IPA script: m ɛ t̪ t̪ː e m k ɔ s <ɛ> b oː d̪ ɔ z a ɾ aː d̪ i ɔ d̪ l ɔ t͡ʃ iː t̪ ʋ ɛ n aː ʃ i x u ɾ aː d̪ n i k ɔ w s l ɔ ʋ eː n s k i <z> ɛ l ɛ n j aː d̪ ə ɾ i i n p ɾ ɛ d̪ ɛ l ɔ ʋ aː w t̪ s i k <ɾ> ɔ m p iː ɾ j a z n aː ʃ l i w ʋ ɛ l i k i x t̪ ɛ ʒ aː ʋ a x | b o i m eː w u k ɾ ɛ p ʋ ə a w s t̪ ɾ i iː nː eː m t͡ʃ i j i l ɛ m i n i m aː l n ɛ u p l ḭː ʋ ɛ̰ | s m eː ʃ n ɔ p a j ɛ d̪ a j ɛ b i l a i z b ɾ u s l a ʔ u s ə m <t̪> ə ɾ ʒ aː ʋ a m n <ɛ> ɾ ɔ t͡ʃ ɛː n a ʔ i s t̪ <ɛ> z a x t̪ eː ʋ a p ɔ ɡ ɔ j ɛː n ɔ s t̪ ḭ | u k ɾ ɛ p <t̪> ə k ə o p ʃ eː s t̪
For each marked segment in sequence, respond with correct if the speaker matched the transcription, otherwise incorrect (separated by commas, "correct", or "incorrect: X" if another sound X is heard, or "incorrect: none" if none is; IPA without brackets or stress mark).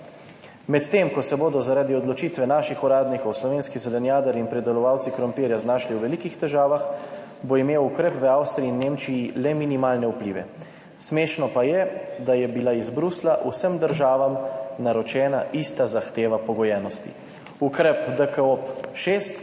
correct, correct, correct, incorrect: d̪, incorrect: a, incorrect: a, incorrect: d̪